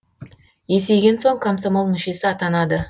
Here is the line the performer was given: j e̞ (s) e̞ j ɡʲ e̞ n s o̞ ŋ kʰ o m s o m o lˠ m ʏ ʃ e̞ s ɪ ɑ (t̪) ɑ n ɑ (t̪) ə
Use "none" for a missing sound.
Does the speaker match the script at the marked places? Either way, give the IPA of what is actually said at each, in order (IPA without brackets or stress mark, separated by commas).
s, t̪, d̪